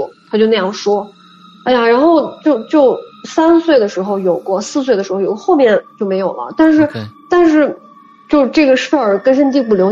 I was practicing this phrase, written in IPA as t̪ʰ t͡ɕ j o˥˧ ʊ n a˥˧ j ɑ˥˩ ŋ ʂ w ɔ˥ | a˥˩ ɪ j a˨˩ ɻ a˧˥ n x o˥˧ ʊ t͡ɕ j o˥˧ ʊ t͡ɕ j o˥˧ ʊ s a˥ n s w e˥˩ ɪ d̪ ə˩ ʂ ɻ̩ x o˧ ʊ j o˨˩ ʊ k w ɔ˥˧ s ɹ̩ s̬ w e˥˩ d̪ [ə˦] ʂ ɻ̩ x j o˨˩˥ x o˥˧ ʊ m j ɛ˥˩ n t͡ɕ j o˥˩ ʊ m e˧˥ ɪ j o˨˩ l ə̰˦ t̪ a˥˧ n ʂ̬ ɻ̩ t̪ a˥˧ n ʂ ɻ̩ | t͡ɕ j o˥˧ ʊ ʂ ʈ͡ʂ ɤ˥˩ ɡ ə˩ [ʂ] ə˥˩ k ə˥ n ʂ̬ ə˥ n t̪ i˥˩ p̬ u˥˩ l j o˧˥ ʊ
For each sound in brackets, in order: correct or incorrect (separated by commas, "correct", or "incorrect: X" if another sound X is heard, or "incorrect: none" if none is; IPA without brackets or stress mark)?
incorrect: ə˩, correct